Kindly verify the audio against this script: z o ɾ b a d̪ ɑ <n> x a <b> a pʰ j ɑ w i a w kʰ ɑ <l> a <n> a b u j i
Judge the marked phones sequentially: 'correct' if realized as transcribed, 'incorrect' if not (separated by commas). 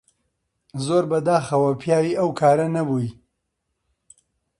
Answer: incorrect, incorrect, incorrect, correct